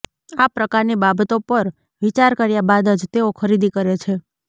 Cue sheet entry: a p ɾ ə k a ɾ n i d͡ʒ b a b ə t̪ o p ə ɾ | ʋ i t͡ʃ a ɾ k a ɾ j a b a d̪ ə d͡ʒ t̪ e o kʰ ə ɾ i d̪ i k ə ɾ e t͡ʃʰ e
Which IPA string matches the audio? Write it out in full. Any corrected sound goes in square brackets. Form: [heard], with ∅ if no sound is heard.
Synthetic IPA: a p ɾ ə k a ɾ n i [∅] b a b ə t̪ o p ə ɾ | ʋ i t͡ʃ a ɾ k [ə] ɾ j a b a d̪ ə d͡ʒ t̪ e o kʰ ə ɾ i d̪ i k ə ɾ e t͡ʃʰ e